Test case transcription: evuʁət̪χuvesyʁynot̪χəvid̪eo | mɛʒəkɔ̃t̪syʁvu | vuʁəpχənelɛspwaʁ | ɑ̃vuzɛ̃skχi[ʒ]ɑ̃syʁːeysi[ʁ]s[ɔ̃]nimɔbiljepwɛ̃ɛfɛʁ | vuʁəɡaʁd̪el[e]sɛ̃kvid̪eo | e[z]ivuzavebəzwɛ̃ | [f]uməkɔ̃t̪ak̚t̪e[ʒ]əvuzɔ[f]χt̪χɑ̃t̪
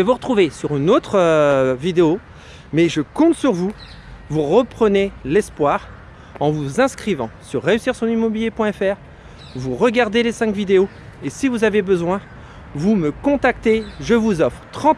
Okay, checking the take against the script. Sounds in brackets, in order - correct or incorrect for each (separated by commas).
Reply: incorrect, correct, correct, correct, incorrect, incorrect, correct, correct